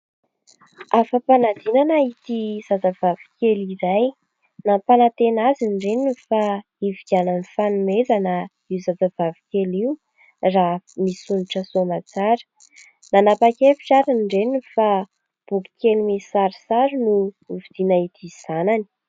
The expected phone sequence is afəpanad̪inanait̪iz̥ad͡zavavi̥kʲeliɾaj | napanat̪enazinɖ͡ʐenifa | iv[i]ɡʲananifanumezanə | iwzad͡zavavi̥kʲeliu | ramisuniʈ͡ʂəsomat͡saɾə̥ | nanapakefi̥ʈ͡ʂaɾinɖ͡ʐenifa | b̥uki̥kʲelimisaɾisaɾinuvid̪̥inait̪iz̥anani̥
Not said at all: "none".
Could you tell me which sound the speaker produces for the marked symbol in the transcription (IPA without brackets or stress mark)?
i